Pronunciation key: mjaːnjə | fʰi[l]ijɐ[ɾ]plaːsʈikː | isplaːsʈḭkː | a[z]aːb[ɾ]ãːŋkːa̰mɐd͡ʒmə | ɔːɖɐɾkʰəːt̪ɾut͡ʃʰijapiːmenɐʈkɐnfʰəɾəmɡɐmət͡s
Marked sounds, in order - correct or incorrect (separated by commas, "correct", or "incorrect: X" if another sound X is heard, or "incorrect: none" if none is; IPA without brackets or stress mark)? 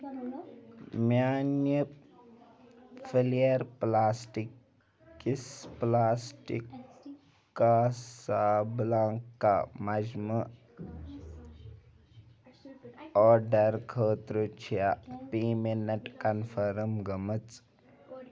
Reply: correct, correct, incorrect: s, incorrect: l